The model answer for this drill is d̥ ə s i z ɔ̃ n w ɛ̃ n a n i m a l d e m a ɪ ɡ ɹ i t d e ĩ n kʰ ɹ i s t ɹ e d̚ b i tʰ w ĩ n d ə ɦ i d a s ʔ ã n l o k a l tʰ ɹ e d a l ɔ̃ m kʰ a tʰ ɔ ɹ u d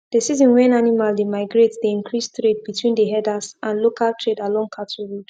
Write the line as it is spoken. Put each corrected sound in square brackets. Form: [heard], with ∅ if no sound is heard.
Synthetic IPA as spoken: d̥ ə s i z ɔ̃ n w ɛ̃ n a n i m a l d e m a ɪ ɡ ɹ [e] t d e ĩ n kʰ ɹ i s t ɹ e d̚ b i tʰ w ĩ n d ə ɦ [ɛ] d a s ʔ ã n l o k a l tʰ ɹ e d a l ɔ̃ [ŋ] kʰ a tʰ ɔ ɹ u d